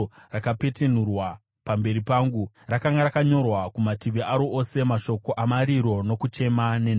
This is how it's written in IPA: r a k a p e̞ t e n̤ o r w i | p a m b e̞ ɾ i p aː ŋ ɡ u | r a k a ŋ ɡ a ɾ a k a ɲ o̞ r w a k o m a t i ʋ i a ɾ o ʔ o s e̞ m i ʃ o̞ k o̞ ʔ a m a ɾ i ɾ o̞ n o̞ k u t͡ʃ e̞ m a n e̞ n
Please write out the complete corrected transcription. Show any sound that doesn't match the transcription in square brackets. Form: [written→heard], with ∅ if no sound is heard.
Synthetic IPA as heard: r a k a p e̞ t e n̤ [o→u] r w [i→a] | p a m b e̞ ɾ i p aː ŋ ɡ u | r a k a ŋ ɡ a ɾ a k a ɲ o̞ r w a k [o→u] m a t i ʋ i a ɾ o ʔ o s e̞ m [i→a] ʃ o̞ k o̞ ʔ a m a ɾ i ɾ o̞ n o̞ k u t͡ʃ e̞ m a n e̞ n

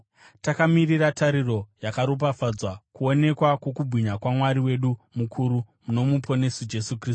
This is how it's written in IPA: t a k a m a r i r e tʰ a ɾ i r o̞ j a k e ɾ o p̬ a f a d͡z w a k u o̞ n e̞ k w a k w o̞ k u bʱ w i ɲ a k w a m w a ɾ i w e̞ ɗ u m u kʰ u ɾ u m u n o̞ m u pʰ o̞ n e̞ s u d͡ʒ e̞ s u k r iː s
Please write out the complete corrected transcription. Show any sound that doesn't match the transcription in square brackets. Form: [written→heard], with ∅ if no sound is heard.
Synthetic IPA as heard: t a k a m [a→i] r i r [e→a] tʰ a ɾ i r o̞ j a k [e→a] ɾ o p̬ a f a d͡z w a k u o̞ n e̞ k w a k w o̞ k u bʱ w i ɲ a k w a m w a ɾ i w e̞ ɗ u m u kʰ u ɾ u m u n o̞ m u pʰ o̞ n e̞ s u d͡ʒ e̞ s u k r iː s

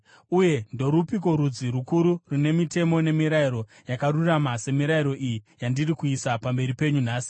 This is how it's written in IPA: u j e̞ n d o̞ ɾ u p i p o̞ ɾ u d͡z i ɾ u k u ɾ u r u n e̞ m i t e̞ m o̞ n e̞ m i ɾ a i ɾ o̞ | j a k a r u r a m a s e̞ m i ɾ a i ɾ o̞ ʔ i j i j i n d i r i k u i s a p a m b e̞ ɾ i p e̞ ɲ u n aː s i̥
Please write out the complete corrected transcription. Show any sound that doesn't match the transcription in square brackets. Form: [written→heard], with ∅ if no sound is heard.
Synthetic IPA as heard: u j e̞ n d o̞ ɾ u p i [p→k] o̞ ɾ u d͡z i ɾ u k u ɾ u r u n e̞ m i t e̞ m o̞ n e̞ m i ɾ a i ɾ o̞ | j a k a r u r a m a s e̞ m i ɾ a i ɾ o̞ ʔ i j i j [i→a] n d i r i k u i s a p a m b e̞ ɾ i p e̞ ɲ u n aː s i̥

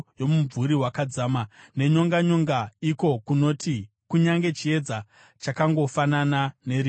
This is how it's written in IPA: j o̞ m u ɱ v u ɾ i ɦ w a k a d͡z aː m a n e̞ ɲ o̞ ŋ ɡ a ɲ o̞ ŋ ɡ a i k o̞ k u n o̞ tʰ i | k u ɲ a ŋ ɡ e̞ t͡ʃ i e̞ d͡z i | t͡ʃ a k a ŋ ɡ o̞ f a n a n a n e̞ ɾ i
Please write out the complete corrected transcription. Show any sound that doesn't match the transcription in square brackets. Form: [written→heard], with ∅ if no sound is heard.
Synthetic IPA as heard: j o̞ m u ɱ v u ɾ i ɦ w a k a d͡z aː m a n e̞ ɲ o̞ ŋ ɡ a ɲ o̞ ŋ ɡ a i k o̞ k u n o̞ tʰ i | k u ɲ a ŋ ɡ e̞ t͡ʃ i e̞ d͡z [i→a] | t͡ʃ a k a ŋ ɡ o̞ f a n a n a n e̞ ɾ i

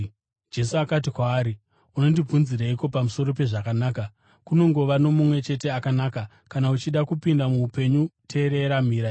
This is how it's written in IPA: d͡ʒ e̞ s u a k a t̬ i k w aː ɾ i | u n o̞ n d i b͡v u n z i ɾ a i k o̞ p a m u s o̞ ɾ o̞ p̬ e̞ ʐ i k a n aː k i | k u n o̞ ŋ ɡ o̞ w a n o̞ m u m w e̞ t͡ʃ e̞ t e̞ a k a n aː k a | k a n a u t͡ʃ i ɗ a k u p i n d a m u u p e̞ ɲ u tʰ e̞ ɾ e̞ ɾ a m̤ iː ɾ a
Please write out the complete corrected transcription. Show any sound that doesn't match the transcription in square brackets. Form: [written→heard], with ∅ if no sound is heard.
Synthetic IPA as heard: d͡ʒ e̞ s u a k a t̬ i k w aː ɾ i | u n o̞ n d i b͡v u n z i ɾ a i k o̞ p a m u s o̞ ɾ o̞ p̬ e̞ ʐ [i→a] k a n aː k [i→a] | k u n o̞ ŋ ɡ o̞ [w→ʋ] a n o̞ m u m w e̞ t͡ʃ e̞ t e̞ a k a n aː k a | k a n a u t͡ʃ i ɗ a k u p i n d a m u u p e̞ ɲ u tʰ e̞ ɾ e̞ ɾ a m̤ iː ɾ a

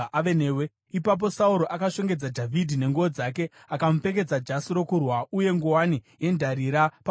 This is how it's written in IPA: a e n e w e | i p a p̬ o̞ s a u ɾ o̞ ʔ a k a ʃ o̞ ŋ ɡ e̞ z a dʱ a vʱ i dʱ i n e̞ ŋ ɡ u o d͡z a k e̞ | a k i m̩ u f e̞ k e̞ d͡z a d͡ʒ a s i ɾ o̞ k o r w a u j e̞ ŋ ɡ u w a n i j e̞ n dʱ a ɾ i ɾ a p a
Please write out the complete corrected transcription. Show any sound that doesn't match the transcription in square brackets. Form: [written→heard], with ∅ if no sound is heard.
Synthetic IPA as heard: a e n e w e | i p a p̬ o̞ s a u ɾ o̞ ʔ a k a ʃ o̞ ŋ ɡ e̞ [z→d͡z] a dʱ a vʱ i dʱ i n e̞ ŋ ɡ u o d͡z a k e̞ | a k [i→a] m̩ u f e̞ k e̞ d͡z a d͡ʒ a s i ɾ o̞ k [o→u] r w a u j e̞ ŋ ɡ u w a n i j e̞ n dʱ a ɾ i ɾ a p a

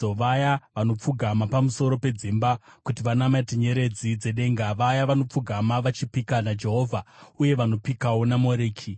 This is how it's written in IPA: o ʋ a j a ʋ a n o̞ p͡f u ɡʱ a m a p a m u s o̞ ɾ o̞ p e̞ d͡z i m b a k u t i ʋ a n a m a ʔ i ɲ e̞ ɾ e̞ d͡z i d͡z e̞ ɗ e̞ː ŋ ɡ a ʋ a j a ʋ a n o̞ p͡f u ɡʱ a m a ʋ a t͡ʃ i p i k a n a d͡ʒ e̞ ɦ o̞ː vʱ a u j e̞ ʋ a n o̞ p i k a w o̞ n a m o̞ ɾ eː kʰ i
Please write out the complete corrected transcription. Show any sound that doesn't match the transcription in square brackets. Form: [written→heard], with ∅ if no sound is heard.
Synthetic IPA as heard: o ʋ a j a ʋ a n o̞ p͡f u ɡʱ a m a p a m u s o̞ ɾ o̞ p e̞ d͡z i m b a k u t i ʋ a n a m a [ʔ→t] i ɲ e̞ ɾ e̞ d͡z i d͡z e̞ ɗ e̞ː ŋ ɡ a ʋ a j a ʋ a n o̞ p͡f u ɡʱ a m a ʋ a t͡ʃ i p i k a n a d͡ʒ e̞ ɦ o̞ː vʱ a u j e̞ ʋ a n o̞ p i k a w o̞ n a m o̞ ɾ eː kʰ i

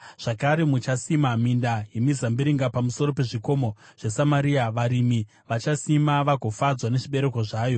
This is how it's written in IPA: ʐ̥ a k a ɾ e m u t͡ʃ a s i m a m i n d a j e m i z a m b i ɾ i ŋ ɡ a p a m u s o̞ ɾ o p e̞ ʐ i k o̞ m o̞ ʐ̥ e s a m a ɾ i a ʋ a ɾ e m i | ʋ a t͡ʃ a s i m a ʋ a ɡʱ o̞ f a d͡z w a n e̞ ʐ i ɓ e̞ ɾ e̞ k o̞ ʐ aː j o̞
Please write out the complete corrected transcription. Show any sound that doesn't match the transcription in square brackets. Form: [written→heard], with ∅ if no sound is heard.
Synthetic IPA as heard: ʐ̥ a k a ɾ e m u t͡ʃ a s i m a m i n d a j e m i z a m b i ɾ i ŋ ɡ a p a m u s o̞ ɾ o p e̞ ʐ i k o̞ m o̞ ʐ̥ e s a m a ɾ i a ʋ a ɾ [e→i] m i | ʋ a t͡ʃ a s i m a ʋ a ɡʱ o̞ f a d͡z w a n e̞ ʐ i ɓ e̞ ɾ e̞ k o̞ ʐ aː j o̞

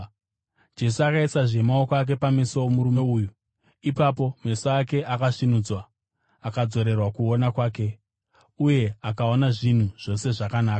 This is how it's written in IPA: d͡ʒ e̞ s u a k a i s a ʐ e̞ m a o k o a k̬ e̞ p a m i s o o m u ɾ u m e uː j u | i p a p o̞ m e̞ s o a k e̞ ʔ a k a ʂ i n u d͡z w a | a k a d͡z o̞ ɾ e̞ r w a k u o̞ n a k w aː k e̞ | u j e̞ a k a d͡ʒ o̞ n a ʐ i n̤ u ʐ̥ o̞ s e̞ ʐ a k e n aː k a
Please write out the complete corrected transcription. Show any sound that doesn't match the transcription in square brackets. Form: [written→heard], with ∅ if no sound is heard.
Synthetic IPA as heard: d͡ʒ e̞ s u a k a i s a ʐ e̞ m a o k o a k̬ e̞ p a m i s o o m u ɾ u m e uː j u | i p a p o̞ m e̞ s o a k e̞ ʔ a k a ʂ i n u d͡z w a | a k a d͡z o̞ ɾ e̞ r w a k u o̞ n a k w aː k e̞ | u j e̞ a k a [d͡ʒ→∅] o̞ n a ʐ i n̤ u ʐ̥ o̞ s e̞ ʐ a k [e→a] n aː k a

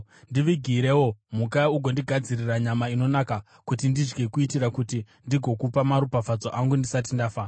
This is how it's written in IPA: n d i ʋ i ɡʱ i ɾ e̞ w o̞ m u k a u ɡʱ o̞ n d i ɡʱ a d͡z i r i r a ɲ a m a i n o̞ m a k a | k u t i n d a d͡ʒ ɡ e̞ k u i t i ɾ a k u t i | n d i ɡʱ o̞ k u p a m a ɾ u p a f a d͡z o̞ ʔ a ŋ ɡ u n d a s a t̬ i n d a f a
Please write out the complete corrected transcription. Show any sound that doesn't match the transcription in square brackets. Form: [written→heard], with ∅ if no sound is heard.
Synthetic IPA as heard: n d i ʋ i ɡʱ i ɾ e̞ w o̞ m u k a u ɡʱ o̞ n d i ɡʱ a d͡z i r i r a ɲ a m a i n o̞ [m→n] a k a | k u t i n d [a→i] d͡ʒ ɡ e̞ k u i t i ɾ a k u t i | n d i ɡʱ o̞ k u p a m a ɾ u p a f a d͡z o̞ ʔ a ŋ ɡ u n d [a→i] s a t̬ i n d a f a

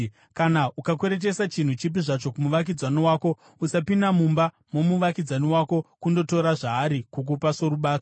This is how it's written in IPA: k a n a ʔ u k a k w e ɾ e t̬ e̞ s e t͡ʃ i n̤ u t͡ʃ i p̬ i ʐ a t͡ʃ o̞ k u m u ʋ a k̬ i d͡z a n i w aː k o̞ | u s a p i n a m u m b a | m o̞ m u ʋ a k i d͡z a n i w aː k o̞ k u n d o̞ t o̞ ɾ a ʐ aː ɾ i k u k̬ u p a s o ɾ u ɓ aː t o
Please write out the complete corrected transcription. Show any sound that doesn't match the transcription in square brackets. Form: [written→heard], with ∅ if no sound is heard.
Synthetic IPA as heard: k a n a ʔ u k a k w e ɾ e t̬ e̞ s [e→a] t͡ʃ i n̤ u t͡ʃ i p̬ i ʐ a t͡ʃ o̞ k u m u ʋ a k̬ i d͡z a n i w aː k o̞ | u s a p i n a m u m b a | m o̞ m u ʋ a k i d͡z a n i w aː k o̞ k u n d o̞ t o̞ ɾ a ʐ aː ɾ i k u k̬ u p a s o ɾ u ɓ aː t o

